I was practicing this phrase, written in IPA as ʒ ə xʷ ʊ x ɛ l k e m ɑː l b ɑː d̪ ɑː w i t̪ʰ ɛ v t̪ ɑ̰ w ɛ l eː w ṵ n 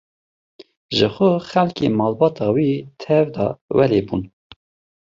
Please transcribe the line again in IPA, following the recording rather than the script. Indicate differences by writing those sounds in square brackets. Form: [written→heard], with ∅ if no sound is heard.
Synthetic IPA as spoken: ʒ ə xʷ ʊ x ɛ l k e m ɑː l b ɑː [d̪→t̪] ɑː w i t̪ʰ ɛ v [t̪→d̪] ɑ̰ w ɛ l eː [w→b] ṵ n